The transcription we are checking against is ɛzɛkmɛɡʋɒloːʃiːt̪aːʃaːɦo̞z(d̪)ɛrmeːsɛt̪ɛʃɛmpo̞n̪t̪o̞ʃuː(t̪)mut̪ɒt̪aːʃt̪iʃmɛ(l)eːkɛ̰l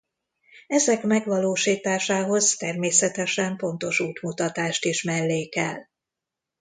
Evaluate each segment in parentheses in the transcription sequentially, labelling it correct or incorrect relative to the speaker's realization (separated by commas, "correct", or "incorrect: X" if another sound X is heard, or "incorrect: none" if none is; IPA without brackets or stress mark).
incorrect: t̪, correct, incorrect: lː